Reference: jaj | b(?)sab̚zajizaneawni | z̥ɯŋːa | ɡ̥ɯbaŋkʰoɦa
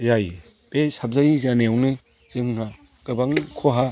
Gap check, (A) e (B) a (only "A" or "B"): A